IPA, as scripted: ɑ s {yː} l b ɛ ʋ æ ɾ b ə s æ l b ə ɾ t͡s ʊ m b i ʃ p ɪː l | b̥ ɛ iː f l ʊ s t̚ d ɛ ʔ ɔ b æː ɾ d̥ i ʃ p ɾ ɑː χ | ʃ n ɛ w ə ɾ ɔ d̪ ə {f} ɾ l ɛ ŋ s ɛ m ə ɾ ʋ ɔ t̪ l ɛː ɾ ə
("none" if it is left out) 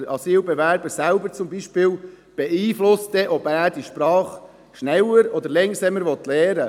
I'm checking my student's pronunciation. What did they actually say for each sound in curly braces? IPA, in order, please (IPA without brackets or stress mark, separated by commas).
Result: iː, none